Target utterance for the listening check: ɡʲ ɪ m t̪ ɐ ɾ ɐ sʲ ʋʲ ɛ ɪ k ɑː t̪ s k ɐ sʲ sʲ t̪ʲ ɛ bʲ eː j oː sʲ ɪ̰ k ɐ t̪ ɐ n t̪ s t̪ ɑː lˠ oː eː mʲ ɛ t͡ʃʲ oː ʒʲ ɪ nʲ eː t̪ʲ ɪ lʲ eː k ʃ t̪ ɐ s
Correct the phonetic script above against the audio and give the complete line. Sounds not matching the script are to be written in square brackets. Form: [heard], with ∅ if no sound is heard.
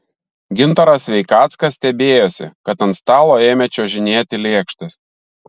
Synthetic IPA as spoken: ɡʲ ɪ [n] t̪ ɐ ɾ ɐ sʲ ʋʲ ɛ ɪ k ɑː t̪ s k ɐ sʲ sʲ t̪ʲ ɛ bʲ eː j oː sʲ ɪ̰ k ɐ t̪ ɐ n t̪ s t̪ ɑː lˠ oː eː mʲ ɛ t͡ʃʲ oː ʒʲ ɪ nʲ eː t̪ʲ ɪ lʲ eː k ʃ t̪ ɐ s